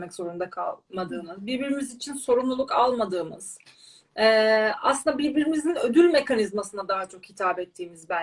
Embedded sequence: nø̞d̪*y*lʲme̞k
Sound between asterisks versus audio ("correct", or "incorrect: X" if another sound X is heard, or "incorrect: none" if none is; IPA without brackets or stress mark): correct